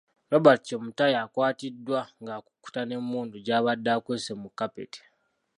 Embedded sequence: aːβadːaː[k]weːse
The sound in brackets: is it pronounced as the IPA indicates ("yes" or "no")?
yes